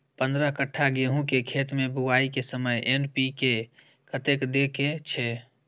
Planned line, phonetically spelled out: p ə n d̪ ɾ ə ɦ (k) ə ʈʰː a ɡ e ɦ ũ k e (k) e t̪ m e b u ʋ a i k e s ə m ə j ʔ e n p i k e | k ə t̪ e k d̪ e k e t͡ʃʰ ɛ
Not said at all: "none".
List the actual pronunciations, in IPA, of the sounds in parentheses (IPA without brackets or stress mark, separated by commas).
k, kʰ